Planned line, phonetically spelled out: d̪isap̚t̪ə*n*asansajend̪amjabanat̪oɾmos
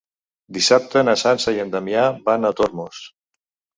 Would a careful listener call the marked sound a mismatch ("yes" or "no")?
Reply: no